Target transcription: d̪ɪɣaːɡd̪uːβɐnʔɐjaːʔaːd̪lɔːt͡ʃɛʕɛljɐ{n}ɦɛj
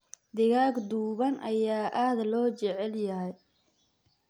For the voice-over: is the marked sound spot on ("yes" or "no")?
no